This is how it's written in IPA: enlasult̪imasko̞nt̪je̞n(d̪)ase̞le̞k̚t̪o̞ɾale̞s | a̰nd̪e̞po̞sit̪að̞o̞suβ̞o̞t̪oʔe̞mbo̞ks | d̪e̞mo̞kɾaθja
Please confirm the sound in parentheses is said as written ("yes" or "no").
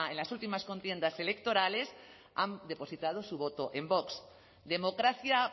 yes